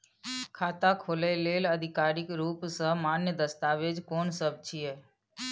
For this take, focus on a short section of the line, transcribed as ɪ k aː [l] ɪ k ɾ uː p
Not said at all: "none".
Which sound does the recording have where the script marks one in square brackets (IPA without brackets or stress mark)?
ɾ